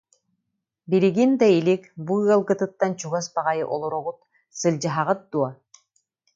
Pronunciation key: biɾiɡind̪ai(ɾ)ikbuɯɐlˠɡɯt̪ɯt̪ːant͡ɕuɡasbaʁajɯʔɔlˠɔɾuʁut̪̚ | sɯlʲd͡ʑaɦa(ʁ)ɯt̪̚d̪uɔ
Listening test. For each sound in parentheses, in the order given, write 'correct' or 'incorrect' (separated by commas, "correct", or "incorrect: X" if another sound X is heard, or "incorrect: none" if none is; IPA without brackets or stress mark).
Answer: incorrect: l, correct